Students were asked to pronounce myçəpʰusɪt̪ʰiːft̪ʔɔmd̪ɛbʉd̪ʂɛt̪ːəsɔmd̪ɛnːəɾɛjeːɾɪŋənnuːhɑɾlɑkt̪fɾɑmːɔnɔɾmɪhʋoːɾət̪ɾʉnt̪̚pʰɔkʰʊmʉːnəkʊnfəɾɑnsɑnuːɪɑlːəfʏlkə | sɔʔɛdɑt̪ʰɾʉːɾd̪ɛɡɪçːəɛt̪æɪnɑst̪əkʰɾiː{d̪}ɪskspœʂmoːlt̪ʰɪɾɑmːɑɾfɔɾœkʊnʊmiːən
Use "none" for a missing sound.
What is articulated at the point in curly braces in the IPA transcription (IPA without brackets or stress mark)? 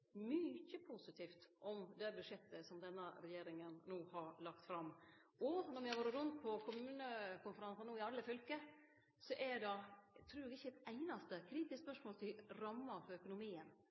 t̪